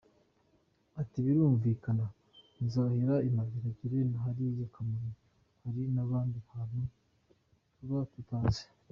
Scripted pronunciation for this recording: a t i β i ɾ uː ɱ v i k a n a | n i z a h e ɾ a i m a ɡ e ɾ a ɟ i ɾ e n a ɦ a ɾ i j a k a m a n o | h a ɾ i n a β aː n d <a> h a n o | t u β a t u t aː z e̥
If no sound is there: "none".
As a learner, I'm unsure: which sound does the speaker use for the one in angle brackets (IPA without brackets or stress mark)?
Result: i